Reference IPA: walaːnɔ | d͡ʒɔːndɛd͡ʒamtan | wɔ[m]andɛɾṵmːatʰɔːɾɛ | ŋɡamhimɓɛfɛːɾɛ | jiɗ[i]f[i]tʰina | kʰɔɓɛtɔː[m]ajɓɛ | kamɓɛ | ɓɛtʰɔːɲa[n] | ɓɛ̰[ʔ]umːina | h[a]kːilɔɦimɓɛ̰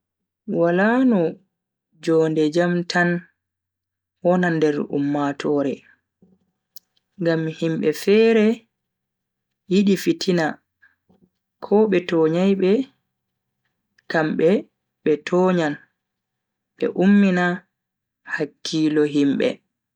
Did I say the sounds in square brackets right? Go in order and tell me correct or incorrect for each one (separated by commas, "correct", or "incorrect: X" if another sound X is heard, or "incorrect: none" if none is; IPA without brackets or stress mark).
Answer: incorrect: n, correct, correct, incorrect: ɲ, correct, correct, correct